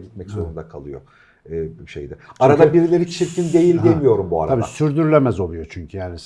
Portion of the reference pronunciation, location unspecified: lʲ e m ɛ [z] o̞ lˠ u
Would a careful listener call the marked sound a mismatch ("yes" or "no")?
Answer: no